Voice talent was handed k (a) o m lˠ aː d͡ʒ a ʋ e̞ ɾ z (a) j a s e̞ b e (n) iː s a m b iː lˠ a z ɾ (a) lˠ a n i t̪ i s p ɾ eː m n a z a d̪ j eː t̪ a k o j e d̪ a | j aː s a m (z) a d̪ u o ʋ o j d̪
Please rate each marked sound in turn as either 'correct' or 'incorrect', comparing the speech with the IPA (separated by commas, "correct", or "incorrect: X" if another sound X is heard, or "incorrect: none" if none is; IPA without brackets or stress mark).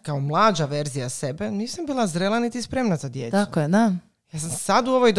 correct, incorrect: i, correct, incorrect: e, incorrect: s